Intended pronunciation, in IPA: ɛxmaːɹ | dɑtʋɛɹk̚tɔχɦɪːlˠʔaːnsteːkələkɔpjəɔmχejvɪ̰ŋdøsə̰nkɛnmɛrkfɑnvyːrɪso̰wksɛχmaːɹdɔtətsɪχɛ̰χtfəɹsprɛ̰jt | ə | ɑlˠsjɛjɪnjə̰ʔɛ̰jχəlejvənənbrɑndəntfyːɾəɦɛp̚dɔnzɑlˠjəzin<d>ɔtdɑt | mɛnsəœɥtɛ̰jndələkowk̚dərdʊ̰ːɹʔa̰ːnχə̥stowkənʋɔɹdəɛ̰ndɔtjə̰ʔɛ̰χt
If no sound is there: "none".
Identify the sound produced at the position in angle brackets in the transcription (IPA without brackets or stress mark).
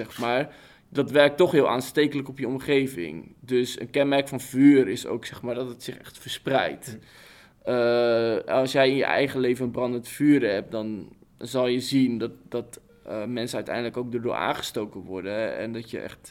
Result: d